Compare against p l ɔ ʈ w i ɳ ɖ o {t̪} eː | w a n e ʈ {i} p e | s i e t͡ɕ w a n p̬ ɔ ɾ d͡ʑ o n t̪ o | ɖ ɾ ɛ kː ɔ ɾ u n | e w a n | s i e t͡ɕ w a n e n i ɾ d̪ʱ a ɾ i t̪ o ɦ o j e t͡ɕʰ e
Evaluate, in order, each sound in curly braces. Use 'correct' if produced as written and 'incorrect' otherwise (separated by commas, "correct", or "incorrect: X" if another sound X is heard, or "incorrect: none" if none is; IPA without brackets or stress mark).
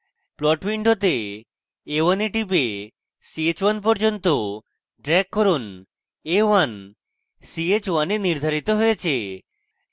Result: correct, correct